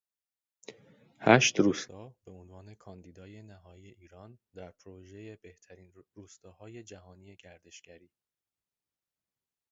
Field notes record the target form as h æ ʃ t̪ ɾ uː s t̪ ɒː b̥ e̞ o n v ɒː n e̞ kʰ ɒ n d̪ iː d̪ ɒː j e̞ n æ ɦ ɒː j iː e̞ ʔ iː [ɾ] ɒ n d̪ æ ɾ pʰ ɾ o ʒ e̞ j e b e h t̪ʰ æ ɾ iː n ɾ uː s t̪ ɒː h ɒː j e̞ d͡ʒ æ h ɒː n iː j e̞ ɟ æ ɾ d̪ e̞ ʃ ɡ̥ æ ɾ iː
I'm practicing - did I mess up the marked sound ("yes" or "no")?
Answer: no